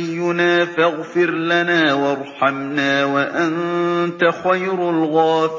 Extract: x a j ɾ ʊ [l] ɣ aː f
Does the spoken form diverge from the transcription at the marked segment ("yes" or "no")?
no